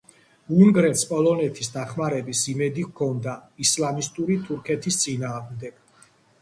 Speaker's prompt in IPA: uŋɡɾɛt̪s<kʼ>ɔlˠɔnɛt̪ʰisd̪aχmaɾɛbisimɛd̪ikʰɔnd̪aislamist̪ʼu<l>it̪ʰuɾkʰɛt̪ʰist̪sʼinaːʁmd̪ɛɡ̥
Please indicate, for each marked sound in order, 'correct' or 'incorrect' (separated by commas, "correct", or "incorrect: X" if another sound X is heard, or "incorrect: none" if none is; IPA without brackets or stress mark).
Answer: incorrect: pʼ, incorrect: ɾ